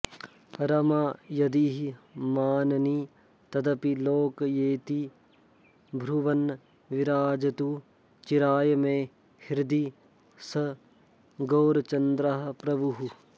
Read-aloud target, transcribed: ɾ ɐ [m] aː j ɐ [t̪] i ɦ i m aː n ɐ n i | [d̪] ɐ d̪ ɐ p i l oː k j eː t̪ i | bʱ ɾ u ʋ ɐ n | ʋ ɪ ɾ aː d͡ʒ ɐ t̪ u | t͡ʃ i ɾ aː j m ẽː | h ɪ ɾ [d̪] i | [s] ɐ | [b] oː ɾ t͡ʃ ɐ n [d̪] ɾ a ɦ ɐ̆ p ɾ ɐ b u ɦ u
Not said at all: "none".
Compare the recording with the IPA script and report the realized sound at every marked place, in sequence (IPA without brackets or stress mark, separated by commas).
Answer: m, d̪, t̪, d̪, s, ɡ, d̪